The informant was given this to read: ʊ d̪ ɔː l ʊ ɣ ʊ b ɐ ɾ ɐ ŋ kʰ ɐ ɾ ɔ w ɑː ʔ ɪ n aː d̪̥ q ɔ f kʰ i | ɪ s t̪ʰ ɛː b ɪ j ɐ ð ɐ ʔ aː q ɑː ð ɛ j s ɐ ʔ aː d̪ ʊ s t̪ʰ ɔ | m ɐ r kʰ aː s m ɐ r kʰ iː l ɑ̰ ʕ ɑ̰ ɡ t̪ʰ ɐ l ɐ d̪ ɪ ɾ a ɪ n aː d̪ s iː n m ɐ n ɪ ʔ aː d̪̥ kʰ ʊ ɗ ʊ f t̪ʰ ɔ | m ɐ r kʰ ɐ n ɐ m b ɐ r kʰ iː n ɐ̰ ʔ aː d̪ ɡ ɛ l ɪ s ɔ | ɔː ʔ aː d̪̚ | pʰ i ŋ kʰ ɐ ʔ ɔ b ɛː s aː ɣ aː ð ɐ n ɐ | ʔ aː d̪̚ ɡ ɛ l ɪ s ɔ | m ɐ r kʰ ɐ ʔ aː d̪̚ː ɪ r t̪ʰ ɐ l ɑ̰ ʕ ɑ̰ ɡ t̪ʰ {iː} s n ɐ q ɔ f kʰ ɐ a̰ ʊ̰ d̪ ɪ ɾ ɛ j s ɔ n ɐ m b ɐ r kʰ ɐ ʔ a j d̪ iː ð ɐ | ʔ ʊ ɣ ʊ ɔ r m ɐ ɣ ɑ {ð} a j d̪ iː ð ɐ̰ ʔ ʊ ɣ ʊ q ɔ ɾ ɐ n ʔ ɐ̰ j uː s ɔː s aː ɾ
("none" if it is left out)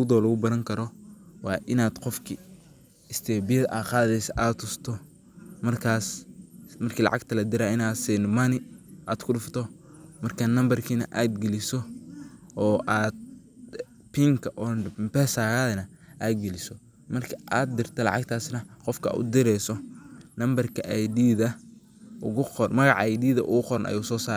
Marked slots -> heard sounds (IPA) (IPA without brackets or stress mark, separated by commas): aː, ʕ